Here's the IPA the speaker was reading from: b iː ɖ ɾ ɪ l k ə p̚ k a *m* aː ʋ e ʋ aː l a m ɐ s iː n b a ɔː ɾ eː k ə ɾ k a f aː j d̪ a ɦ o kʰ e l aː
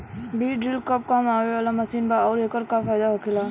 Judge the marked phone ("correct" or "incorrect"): correct